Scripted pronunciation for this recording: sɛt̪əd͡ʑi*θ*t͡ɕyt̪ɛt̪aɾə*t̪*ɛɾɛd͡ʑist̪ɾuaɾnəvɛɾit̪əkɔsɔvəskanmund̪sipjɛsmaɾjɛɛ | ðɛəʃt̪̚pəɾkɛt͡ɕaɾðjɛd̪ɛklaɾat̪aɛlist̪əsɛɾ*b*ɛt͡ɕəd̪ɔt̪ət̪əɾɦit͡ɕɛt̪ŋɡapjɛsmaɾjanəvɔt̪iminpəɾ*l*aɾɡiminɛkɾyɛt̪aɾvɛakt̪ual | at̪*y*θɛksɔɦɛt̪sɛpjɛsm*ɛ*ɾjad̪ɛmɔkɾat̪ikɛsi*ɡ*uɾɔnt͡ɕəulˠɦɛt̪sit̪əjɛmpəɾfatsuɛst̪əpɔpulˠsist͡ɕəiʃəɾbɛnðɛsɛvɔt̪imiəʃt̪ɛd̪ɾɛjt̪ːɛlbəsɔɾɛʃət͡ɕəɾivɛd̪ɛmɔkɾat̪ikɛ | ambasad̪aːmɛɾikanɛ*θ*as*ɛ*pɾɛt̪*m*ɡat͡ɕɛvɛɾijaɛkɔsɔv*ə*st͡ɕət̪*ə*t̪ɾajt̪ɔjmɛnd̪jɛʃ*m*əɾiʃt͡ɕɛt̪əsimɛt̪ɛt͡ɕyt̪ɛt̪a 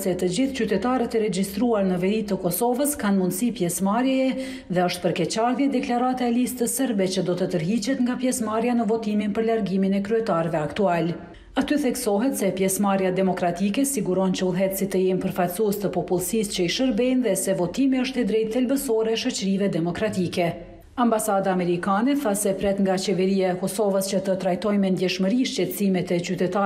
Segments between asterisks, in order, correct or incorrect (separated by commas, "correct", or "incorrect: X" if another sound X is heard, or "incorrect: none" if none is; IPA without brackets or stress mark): correct, correct, correct, correct, correct, incorrect: a, correct, correct, correct, incorrect: ŋ, correct, correct, correct